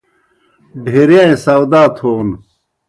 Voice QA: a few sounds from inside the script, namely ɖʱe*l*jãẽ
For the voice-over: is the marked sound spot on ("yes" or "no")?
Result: no